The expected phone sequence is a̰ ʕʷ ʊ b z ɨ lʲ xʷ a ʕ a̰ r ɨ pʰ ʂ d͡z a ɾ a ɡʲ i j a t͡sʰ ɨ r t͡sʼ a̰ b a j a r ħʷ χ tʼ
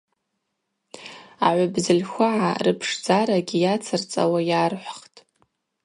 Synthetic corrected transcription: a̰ ʕʷ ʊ b z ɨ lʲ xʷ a ʕ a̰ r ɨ pʰ ʂ d͡z a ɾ a ɡʲ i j a t͡sʰ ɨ r t͡sʼ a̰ w a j a r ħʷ χ tʼ

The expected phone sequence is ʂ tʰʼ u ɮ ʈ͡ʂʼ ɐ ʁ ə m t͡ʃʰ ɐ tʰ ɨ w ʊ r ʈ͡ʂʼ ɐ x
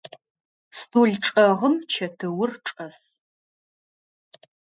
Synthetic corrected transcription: s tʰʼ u ɮ ʈ͡ʂʼ ɐ ʁ ə m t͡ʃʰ ɐ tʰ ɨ w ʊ r ʈ͡ʂʼ ɐ s

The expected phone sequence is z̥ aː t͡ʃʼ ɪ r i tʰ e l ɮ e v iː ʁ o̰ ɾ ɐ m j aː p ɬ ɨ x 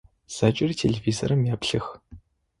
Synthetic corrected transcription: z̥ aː t͡ʃʼ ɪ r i tʰ e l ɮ e v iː z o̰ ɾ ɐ m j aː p ɬ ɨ x

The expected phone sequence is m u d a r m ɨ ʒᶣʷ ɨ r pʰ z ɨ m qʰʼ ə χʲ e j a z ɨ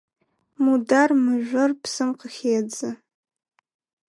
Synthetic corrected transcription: m u d a r m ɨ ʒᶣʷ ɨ r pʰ s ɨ m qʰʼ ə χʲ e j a d͡z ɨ

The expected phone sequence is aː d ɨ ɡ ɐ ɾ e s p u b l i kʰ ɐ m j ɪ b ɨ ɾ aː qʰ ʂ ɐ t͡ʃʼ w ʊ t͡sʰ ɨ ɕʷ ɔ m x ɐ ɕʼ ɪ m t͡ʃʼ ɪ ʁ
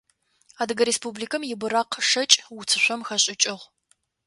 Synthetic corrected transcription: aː d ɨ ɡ ɐ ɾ e s p u b l i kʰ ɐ m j ɪ b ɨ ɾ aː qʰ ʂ ɐ t͡ʃʼ w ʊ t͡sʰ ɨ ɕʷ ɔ m x ɐ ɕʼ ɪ t͡ʃʼ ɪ ʁ

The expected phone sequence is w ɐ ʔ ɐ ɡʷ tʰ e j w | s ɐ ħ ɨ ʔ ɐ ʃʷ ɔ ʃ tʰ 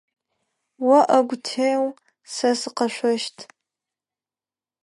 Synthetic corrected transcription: w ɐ ʔ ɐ ɡʷ tʰ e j w | s ɐ s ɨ q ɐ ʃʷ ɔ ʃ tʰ

